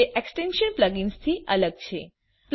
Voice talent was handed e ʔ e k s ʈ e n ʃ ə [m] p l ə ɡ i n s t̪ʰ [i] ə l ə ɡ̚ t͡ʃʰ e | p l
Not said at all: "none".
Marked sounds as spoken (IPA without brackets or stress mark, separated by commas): n, i